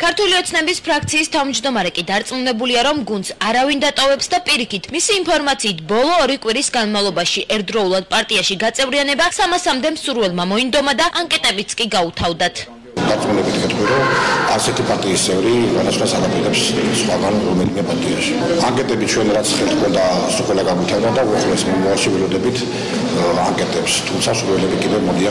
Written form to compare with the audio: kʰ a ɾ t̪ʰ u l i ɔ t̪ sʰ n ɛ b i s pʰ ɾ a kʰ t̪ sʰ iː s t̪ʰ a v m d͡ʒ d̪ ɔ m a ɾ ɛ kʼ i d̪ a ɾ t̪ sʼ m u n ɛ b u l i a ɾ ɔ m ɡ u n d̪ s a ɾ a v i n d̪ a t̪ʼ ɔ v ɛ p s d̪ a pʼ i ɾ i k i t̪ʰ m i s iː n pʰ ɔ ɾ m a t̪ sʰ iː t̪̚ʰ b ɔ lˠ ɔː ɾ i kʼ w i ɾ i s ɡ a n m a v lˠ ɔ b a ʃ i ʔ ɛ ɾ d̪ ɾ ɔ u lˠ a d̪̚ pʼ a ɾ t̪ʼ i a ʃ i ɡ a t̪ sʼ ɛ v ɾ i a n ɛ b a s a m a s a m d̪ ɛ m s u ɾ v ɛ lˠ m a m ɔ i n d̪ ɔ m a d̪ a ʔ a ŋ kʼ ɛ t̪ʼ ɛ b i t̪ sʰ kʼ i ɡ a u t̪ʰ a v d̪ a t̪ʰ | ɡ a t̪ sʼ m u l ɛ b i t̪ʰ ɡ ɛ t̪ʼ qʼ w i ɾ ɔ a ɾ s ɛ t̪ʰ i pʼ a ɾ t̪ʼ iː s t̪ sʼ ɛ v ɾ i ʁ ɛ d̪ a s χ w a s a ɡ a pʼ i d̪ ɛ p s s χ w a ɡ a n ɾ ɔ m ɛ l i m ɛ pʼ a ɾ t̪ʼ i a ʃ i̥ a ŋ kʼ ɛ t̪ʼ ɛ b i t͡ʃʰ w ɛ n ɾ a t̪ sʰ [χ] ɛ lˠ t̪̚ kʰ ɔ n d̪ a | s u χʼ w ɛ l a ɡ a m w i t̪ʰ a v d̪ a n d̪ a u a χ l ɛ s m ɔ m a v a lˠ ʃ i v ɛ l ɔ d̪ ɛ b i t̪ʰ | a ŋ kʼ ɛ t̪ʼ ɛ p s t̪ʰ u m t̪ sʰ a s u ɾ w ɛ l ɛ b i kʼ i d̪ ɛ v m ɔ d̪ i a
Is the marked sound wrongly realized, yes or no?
no